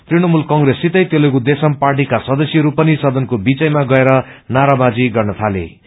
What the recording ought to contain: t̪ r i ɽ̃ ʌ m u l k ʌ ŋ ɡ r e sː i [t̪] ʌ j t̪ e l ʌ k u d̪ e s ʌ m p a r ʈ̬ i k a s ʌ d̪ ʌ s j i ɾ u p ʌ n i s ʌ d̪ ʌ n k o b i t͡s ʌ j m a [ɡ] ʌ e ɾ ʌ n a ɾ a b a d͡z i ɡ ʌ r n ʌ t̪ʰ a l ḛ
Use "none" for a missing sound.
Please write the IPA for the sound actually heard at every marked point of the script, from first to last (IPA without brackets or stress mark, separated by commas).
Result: t̪, ɡ